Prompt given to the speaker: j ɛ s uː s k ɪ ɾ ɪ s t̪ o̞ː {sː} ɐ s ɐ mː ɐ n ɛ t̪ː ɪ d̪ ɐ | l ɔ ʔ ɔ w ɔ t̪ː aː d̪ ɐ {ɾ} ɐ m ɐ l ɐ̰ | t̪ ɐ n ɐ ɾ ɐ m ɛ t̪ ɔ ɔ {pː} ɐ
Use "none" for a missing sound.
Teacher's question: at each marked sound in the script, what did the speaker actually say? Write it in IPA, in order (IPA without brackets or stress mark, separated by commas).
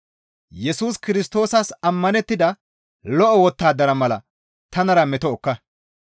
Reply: s, ɾ, kː